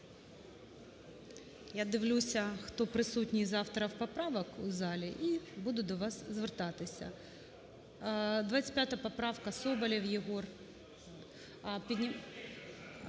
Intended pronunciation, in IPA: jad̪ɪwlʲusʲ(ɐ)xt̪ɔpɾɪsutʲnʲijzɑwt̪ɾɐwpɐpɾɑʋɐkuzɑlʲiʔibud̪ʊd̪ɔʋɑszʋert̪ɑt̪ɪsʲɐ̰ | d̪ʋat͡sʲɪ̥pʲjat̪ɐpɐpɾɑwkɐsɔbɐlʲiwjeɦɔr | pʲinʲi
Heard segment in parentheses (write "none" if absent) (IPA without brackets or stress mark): ɐ